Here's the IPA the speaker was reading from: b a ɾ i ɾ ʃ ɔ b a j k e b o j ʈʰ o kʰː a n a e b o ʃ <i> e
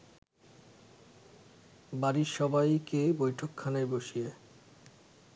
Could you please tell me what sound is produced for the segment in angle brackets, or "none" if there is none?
i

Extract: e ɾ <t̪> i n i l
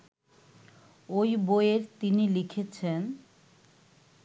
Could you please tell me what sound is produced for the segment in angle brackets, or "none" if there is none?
t̪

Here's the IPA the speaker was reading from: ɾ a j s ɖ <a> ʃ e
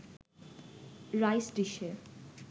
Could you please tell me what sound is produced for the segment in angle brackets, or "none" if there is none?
i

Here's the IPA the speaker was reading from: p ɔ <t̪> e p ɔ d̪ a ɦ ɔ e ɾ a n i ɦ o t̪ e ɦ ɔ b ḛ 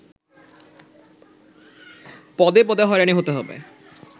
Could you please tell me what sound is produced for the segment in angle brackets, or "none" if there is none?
d̪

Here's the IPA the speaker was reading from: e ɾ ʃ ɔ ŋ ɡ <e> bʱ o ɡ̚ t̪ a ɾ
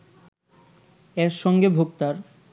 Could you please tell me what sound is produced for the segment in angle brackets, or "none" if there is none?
e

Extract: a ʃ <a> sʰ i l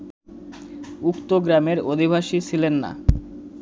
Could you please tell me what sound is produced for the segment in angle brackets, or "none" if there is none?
i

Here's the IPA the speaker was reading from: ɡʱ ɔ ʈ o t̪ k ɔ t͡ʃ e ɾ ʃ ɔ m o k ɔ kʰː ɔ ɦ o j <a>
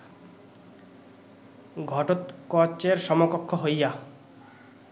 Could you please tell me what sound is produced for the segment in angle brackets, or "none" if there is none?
a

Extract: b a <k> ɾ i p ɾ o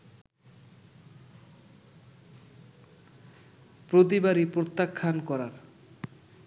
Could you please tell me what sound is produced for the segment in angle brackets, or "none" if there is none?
none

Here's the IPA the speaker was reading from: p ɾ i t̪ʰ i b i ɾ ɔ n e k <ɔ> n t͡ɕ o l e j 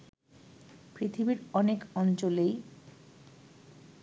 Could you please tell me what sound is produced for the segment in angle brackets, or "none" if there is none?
ɔ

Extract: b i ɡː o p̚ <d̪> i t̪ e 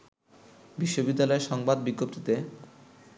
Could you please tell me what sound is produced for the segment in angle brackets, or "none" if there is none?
t̪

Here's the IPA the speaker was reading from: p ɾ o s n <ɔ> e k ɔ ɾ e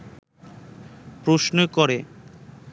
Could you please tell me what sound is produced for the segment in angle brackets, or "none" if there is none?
o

